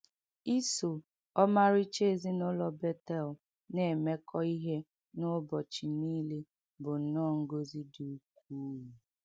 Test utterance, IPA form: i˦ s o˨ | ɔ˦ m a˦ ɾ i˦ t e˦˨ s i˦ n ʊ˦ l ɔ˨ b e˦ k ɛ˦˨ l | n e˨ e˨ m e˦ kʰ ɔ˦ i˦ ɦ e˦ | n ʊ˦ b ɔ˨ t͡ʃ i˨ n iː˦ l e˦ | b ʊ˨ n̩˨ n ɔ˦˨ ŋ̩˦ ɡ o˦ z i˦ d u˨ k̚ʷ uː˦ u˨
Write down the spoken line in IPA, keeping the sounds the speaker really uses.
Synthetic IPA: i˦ s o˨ | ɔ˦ m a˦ ɾ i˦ t͡ʃ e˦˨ z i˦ n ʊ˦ l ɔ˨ b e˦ t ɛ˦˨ l | n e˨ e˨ m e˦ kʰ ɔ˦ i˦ ɦ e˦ | n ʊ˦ b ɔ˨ t͡ʃ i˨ n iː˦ l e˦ | b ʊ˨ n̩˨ n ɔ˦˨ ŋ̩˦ ɡ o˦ z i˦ d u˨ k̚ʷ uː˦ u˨